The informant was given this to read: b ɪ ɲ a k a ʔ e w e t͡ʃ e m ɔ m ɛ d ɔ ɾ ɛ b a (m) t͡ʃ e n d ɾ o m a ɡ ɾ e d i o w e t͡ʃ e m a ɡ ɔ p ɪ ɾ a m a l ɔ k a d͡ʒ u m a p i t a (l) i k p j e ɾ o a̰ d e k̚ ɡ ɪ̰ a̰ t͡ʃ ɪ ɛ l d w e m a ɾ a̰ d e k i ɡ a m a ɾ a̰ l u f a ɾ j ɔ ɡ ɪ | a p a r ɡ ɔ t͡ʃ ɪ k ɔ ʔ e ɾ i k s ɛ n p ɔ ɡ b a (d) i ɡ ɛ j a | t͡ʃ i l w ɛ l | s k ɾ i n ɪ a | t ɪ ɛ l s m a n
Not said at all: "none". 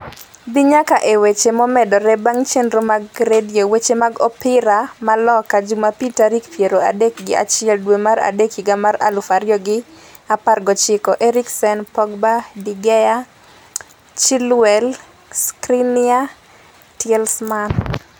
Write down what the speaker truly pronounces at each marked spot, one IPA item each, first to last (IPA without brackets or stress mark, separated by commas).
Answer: ŋ, ɾ, d